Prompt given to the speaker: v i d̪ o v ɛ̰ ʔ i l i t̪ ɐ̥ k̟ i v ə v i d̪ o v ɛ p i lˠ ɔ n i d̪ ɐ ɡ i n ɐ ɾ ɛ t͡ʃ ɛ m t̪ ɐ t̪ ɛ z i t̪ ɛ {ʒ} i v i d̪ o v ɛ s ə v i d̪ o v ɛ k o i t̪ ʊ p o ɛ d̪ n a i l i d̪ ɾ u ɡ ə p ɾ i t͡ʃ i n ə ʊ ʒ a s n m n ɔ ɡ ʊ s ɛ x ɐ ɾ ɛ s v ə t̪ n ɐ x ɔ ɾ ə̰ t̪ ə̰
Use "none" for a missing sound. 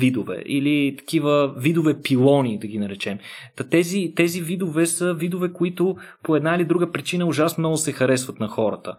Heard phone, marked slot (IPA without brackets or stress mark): z